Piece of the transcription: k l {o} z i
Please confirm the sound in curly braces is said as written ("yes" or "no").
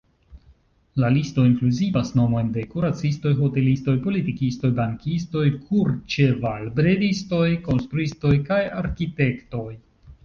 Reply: no